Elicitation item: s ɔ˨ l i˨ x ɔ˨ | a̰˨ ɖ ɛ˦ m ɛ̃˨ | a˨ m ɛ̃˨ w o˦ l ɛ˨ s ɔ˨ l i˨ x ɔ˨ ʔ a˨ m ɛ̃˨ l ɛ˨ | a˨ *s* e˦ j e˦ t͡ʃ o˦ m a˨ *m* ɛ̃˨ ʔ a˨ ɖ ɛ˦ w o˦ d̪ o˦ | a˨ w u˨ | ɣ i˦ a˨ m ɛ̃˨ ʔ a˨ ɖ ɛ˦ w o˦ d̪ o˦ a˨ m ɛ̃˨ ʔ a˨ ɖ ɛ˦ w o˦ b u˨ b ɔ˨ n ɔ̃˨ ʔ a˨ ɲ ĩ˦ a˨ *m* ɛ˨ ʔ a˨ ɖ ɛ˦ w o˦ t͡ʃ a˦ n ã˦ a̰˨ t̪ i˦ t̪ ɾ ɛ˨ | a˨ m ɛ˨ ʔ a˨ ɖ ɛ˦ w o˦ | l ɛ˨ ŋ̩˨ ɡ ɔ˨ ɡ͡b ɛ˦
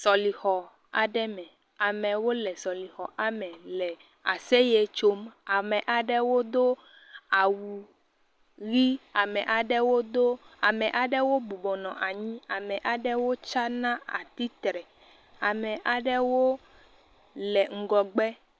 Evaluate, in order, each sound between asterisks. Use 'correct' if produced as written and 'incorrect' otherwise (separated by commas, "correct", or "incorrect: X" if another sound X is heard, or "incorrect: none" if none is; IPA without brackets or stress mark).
correct, correct, correct